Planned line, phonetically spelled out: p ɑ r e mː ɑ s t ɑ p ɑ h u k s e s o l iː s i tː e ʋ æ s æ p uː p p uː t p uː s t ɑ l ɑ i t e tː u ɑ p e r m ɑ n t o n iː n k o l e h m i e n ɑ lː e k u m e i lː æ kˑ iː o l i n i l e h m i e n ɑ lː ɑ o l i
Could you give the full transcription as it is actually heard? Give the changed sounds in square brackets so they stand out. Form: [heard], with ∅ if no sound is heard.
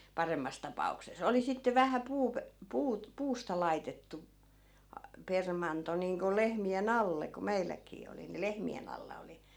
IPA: p ɑ r e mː ɑ s t ɑ p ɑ [∅] u k s e s o l [i] s i tː e ʋ æ [h] æ p uː p p uː t p uː s t ɑ l ɑ i t e tː u ɑ p e r m ɑ n t o n iː [ŋ] k o l e h m i e n ɑ lː e k u m e i lː æ kˑ iː o l i n i l e h m i e n ɑ lː ɑ o l i